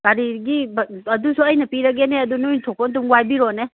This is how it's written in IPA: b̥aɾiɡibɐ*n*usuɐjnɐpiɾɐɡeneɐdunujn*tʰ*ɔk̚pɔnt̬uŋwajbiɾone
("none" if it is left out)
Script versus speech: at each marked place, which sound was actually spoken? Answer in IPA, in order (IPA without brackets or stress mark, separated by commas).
d, tʰ